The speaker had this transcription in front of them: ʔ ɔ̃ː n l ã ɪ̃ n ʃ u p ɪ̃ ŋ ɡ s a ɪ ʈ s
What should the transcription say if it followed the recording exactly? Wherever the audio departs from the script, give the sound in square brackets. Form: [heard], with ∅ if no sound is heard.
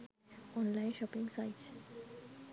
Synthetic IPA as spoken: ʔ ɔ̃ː n l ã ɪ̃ n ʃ [ɔ] p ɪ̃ ŋ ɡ s a ɪ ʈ s